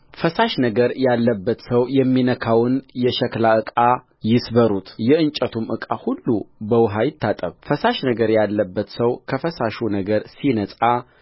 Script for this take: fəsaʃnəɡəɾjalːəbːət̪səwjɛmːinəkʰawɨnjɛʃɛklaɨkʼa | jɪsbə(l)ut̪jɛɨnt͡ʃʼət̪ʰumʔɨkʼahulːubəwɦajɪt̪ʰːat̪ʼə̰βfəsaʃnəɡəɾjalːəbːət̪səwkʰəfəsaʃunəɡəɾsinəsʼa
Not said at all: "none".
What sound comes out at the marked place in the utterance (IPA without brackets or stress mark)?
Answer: ɾ